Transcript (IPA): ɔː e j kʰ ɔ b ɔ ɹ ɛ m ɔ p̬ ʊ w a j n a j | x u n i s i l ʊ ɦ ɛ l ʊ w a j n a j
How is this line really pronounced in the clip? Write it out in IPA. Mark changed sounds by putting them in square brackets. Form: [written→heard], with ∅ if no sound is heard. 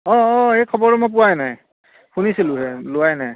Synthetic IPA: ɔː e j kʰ ɔ b ɔ ɹ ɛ m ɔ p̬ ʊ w a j n a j | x u n i s i l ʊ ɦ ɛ l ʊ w a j n a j